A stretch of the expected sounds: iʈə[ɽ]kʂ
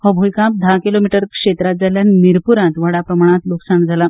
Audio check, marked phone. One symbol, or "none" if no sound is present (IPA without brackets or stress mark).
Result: ɾ